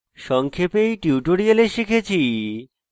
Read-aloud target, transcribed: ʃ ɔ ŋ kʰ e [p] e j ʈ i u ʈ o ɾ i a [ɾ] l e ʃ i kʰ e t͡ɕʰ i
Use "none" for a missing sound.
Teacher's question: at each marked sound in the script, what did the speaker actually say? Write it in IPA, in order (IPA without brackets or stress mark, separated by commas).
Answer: p, none